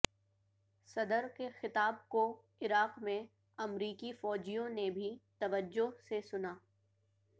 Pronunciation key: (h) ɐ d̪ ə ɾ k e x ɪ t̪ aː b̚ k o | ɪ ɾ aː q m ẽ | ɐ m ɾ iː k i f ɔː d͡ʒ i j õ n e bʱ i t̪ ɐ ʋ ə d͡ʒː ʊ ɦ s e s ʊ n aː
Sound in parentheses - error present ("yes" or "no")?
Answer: yes